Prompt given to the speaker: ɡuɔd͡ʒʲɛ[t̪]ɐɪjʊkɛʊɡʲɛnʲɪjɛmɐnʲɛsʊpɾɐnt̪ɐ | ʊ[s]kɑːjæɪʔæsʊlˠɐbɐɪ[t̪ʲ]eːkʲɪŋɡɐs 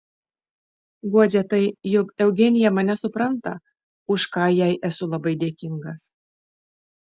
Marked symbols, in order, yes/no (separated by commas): yes, no, no